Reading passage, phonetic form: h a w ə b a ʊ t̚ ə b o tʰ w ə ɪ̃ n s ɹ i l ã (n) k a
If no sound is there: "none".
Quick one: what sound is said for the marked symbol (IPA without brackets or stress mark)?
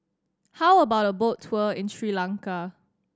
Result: ŋ